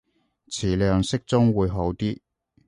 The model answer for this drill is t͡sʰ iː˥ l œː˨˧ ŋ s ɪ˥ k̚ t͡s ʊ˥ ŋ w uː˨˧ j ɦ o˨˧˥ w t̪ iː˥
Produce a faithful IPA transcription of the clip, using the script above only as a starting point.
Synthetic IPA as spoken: t͡sʰ iː˨˩ l œː˨˧ ŋ s ɪ˥ k̚ t͡s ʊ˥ ŋ w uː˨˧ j ɦ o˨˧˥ w t̪ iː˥

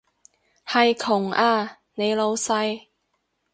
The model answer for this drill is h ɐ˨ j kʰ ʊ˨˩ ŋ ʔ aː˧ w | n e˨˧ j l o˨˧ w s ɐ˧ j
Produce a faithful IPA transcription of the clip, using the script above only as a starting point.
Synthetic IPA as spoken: h ɐ˨ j kʰ ʊ˨˩ ŋ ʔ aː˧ | n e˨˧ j l o˨˧ w s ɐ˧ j

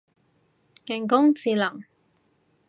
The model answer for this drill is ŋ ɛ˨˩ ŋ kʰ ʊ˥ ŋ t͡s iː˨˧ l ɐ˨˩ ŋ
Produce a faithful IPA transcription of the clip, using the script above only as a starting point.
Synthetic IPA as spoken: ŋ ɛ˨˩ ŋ k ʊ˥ ŋ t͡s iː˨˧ l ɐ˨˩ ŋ

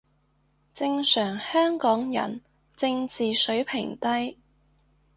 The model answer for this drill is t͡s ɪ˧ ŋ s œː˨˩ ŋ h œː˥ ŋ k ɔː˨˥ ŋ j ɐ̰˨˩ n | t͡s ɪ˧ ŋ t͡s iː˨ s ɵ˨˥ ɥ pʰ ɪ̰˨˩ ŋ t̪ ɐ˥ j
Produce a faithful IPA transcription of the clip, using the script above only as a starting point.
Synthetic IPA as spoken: t͡s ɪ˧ ŋ s œː˨˩ ŋ h œː˥ ŋ k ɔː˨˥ ŋ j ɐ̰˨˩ n | t͡s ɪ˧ ŋ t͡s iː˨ s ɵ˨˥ ɥ pʰ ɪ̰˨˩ ŋ t̪ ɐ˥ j

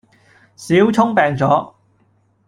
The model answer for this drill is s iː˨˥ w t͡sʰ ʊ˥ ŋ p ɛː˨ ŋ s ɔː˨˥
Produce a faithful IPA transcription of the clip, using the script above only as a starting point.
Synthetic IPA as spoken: s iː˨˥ w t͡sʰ ʊ˥ ŋ p ɛː˨ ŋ t͡s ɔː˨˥

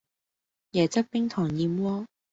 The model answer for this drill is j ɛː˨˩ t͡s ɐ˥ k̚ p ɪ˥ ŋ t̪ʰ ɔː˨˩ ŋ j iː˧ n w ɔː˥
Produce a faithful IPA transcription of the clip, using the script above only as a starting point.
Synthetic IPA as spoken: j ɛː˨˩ t͡s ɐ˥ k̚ p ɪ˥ ŋ t̪ʰ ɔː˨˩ ŋ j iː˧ m w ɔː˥

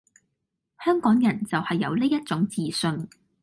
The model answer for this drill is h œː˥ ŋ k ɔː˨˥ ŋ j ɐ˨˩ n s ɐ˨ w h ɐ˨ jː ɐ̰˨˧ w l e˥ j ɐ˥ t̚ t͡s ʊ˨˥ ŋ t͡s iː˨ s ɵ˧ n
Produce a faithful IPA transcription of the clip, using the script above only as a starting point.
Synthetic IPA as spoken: h œː˥ ŋ k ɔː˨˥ ŋ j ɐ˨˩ n t͡s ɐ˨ w h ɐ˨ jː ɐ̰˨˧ w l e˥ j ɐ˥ t̚ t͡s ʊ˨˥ ŋ t͡s iː˨ s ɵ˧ n

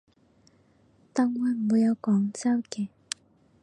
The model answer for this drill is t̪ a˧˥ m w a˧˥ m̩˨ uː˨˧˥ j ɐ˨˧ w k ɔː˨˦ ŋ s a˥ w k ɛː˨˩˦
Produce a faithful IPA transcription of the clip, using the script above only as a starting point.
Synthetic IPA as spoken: t̪ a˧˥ ŋ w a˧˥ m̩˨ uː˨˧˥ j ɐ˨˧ w k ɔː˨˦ ŋ t͡s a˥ w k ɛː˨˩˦

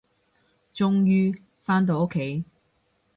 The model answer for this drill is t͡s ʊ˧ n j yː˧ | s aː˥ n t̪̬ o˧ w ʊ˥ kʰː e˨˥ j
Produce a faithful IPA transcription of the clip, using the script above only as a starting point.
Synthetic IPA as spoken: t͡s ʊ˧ ŋ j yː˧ | f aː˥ n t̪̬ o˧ w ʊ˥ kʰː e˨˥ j

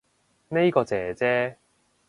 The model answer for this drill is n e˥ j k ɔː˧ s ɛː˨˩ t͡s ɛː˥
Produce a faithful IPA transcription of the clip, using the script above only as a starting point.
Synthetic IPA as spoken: n e˥ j k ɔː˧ t͡s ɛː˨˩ t͡s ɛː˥

